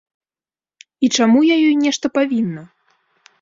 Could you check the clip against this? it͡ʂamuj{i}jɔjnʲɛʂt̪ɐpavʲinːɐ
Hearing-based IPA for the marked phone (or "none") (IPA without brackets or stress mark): a